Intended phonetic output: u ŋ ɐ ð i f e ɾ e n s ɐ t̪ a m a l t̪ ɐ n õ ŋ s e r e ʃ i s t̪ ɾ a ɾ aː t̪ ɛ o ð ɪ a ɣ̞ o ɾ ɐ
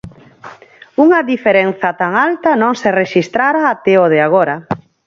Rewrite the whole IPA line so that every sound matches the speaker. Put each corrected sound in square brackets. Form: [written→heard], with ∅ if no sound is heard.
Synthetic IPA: u ŋ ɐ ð i f e ɾ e n [s→θ] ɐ t̪ a [m→ŋ] a l t̪ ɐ n õ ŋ s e r e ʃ i s t̪ ɾ a ɾ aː t̪ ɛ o ð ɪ a ɣ̞ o ɾ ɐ